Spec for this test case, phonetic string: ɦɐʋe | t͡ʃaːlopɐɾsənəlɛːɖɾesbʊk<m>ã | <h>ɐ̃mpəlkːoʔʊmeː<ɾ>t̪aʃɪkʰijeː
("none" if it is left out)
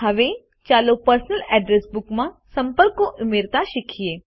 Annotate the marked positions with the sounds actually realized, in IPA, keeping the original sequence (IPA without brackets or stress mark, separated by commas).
m, s, ɾ